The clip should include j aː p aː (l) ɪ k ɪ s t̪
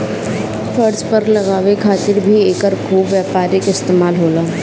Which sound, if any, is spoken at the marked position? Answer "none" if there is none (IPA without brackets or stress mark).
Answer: ɾ